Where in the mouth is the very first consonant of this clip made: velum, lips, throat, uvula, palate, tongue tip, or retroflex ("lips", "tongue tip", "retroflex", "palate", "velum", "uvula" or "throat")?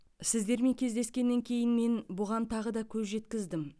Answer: tongue tip